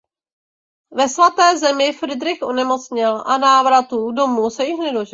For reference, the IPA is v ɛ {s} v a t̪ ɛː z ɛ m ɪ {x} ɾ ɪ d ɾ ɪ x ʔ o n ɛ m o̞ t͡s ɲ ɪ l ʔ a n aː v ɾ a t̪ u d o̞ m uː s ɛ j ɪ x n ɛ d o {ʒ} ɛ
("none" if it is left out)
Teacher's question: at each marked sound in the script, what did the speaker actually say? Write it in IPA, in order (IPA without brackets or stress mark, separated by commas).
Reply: s, f, ʒ